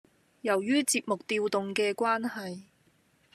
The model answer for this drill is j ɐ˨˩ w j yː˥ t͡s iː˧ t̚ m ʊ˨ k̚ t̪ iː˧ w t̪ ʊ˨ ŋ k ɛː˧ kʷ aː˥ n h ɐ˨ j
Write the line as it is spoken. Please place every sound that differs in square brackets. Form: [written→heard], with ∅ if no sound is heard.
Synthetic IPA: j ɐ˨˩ w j yː˥ t͡s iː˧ [t̚→p̚] m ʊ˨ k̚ t̪ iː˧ w t̪ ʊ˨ ŋ k ɛː˧ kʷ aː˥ n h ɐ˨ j

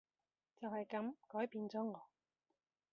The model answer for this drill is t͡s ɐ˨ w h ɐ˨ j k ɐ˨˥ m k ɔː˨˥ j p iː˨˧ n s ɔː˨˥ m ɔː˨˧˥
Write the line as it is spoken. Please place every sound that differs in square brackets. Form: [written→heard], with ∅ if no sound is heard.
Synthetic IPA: t͡s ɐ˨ w h ɐ˨ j k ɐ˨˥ m k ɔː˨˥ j p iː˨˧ n [s→t͡s] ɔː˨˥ [m→ŋ] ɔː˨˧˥

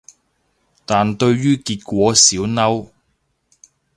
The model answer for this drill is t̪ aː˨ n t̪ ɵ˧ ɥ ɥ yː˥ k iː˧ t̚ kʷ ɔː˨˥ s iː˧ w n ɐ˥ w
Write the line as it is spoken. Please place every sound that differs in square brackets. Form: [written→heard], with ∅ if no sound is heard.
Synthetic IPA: t̪ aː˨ n t̪ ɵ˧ ɥ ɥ yː˥ k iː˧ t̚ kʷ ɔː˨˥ s [iː˧→iː˨˥] w n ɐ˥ w

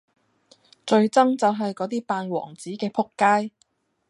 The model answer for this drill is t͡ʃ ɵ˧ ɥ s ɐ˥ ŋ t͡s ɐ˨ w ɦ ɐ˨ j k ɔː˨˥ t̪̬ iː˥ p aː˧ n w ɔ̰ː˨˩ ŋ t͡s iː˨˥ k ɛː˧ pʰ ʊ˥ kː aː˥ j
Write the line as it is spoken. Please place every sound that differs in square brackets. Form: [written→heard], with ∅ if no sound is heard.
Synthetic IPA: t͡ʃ ɵ˧ ɥ [s→t͡s] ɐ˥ ŋ t͡s ɐ˨ w ɦ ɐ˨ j k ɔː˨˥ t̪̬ iː˥ p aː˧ n w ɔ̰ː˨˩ ŋ t͡s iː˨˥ k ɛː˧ pʰ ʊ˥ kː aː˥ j

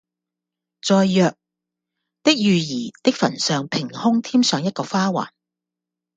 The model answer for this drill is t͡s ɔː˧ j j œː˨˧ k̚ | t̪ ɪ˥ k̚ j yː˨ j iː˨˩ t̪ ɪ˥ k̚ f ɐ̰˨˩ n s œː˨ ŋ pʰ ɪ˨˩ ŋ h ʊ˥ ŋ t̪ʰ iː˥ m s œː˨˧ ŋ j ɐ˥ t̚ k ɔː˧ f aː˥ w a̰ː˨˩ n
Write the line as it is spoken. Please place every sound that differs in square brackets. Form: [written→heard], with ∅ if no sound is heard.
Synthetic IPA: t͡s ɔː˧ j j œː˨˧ k̚ | t̪ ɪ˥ k̚ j yː˨ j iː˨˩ t̪ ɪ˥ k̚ f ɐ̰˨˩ n s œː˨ ŋ pʰ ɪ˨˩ ŋ h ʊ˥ ŋ t̪ʰ iː˥ m s œː˨˧ ŋ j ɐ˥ t̚ k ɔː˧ f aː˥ w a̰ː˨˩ n

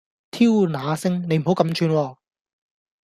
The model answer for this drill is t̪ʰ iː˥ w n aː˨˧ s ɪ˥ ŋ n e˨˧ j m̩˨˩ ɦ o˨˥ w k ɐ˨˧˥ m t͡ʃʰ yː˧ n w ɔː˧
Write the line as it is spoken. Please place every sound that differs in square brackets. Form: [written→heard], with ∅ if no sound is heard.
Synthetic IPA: t̪ʰ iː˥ w n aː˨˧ s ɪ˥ ŋ n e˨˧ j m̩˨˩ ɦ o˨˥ w k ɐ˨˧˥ m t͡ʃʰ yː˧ n w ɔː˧

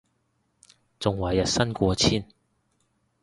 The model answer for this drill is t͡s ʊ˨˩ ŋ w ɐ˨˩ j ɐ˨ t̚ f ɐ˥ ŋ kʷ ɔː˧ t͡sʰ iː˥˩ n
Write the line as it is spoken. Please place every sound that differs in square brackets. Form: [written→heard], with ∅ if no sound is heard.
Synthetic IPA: t͡s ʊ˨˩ ŋ w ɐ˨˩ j ɐ˨ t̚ [f→s] ɐ˥ [ŋ→n] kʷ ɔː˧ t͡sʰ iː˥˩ n

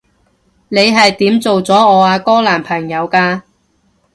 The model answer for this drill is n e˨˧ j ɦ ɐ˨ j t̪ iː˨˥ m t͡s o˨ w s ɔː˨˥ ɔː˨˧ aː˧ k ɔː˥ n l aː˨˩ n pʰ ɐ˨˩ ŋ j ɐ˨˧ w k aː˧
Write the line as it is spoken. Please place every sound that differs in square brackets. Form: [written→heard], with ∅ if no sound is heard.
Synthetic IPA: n e˨˧ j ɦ ɐ˨ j t̪ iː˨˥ m t͡s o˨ w [s→t͡s] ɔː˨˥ ɔː˨˧ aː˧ k ɔː˥ [n→∅] l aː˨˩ n pʰ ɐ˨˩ ŋ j ɐ˨˧ w k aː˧

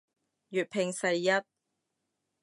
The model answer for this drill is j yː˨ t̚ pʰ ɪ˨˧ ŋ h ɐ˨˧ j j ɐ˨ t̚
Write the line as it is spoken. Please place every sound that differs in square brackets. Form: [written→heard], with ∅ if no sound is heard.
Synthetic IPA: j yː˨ t̚ pʰ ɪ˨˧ ŋ [h→s] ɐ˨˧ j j [ɐ˨→ɐ˥] t̚

